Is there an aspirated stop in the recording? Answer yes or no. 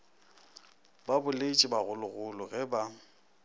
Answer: no